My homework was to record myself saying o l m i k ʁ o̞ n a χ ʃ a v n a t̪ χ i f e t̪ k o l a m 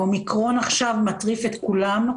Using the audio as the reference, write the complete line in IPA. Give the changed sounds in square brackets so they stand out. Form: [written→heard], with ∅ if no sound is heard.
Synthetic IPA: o [l→∅] m i k ʁ o̞ n a χ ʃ a v [n→m] a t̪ [χ→ʁ] i f e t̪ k [o→u] l a m